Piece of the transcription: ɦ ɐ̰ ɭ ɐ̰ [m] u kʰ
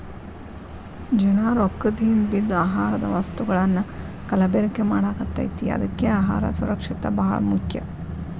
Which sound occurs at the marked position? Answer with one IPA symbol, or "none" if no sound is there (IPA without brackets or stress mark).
m